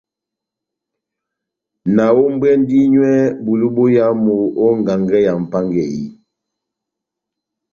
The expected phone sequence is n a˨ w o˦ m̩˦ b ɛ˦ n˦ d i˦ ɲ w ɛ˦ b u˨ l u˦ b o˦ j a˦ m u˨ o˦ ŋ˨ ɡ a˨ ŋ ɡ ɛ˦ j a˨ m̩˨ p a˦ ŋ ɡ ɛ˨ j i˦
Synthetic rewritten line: n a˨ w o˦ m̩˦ b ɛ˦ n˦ d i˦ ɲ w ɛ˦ b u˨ l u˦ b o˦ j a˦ m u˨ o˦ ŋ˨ ɡ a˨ ŋ ɡ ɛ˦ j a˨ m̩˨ p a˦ ŋ ɡ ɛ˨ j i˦